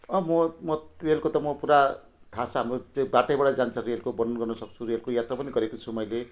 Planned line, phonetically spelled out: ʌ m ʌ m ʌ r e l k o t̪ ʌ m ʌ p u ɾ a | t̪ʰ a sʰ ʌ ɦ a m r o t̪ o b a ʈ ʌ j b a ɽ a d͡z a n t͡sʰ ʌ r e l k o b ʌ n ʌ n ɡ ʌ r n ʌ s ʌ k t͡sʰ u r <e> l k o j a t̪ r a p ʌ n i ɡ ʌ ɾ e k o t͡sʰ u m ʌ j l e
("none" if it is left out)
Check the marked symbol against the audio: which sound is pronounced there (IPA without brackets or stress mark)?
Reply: e